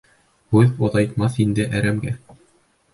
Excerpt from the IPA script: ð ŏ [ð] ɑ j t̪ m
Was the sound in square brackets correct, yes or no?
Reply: yes